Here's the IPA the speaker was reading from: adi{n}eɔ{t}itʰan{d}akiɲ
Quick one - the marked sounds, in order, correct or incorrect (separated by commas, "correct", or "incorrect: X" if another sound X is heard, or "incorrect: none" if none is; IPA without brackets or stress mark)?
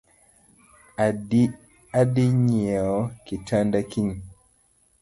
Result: incorrect: ɲ, incorrect: k, correct